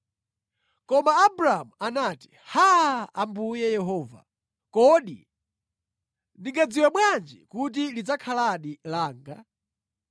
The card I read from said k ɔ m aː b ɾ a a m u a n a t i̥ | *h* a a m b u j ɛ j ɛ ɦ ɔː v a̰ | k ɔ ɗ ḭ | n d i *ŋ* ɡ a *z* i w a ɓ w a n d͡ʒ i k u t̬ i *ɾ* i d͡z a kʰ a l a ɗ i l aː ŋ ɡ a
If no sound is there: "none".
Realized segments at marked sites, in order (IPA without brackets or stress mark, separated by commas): h, ŋ, d͡z, l